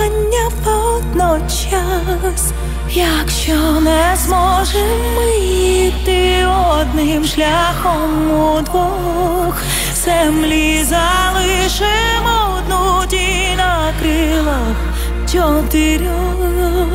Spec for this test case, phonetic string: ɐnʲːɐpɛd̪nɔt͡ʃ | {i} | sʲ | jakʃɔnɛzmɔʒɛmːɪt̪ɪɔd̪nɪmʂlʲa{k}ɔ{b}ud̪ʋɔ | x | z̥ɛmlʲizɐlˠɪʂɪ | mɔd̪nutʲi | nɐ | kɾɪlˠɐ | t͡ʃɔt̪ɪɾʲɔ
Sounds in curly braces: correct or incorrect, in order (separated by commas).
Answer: incorrect, incorrect, incorrect